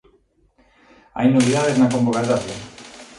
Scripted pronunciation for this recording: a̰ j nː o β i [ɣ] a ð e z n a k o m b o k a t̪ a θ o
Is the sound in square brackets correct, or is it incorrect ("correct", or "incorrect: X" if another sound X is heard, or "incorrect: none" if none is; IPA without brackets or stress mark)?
incorrect: ð